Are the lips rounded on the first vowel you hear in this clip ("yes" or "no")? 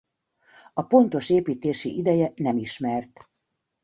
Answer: yes